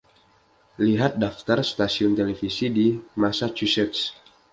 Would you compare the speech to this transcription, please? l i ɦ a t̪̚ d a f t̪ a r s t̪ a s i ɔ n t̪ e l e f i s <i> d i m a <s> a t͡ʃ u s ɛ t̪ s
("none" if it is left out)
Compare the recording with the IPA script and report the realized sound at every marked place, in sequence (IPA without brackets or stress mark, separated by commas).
i, s